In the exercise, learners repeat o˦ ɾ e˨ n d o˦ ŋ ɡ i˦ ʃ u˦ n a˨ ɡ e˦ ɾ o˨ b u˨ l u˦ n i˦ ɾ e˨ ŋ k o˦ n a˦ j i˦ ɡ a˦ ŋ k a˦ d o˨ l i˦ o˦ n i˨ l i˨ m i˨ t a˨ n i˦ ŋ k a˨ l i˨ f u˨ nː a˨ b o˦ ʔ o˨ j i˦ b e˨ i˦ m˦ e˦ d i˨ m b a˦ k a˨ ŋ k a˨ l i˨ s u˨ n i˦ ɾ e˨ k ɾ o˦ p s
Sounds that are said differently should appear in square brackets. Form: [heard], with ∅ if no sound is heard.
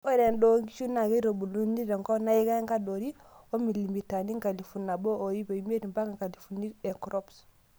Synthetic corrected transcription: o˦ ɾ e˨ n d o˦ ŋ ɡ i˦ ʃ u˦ n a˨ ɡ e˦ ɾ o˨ b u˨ l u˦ n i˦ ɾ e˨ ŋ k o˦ n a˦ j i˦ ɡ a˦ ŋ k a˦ d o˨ [ɾ] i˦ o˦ [m] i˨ l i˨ m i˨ t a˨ n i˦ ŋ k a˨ l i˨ f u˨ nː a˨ b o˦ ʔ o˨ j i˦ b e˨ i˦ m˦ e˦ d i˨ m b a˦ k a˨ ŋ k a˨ l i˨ [f] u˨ n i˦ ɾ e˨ k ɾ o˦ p s